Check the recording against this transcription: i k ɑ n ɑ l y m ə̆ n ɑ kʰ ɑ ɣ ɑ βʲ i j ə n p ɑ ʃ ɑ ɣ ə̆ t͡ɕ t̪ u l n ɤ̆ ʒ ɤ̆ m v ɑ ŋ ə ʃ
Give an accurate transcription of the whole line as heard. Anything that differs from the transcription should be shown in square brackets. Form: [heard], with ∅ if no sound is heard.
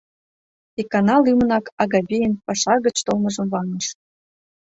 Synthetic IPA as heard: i k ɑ n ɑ l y m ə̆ n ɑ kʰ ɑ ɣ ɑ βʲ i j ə n p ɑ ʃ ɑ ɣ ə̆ t͡ɕ t̪ [o] l [m] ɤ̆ ʒ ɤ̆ m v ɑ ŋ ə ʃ